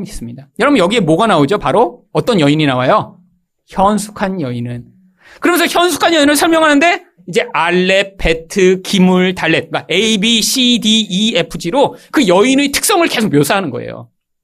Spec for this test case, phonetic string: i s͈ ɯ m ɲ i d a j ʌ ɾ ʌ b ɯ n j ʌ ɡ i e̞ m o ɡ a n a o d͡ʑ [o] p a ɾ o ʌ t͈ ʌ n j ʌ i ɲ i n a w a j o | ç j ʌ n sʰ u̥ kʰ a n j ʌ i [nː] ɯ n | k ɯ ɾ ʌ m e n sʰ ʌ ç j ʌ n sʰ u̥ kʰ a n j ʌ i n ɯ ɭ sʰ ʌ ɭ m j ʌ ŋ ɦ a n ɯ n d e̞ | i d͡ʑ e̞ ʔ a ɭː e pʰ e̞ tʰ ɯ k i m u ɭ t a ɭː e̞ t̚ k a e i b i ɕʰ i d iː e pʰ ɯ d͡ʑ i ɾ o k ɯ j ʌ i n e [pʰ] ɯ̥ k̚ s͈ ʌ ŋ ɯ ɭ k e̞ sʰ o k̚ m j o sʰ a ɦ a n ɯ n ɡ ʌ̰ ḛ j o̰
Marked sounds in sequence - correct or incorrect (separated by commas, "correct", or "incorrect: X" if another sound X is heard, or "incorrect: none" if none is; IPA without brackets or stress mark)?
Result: correct, incorrect: n, incorrect: tʰ